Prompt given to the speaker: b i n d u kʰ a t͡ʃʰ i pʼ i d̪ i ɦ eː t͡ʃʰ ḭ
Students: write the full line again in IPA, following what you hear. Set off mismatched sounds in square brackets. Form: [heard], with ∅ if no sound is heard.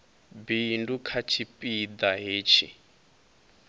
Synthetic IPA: b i n d u kʰ a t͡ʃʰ i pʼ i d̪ [a] ɦ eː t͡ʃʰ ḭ